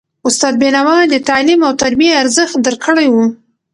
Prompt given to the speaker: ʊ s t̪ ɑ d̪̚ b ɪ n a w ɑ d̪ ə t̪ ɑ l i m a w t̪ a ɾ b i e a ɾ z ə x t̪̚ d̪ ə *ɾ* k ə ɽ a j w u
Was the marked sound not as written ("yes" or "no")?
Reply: no